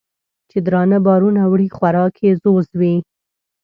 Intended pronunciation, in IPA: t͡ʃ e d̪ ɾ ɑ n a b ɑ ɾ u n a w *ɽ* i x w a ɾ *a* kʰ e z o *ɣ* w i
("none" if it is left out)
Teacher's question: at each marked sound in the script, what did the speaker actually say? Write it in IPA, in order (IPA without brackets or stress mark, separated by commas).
ɽ, ɑ, z